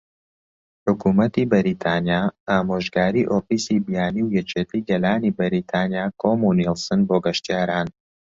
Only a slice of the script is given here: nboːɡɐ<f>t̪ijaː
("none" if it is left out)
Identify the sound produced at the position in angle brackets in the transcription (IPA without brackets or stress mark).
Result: ʃ